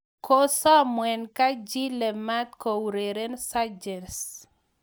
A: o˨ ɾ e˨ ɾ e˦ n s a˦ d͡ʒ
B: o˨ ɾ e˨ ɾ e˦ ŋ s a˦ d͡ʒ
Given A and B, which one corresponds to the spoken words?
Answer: A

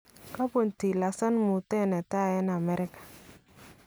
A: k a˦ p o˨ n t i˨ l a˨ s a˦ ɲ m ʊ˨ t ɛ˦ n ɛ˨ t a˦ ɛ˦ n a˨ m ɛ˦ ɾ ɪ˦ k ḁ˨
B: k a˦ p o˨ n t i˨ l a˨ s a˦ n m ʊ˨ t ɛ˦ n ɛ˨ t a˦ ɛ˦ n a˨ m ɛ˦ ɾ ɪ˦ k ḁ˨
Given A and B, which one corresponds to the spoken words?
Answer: B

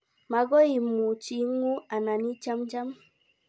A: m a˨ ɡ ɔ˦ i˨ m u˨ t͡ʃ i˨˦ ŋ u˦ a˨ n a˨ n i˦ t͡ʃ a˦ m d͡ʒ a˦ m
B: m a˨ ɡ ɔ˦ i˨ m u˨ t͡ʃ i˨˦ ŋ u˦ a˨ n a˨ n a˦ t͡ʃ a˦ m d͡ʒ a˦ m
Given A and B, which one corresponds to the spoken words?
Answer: A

